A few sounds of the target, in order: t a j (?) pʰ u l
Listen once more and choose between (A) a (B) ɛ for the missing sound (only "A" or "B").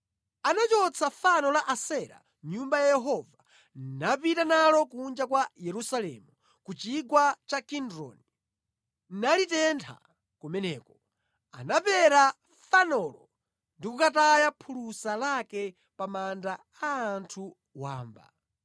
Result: A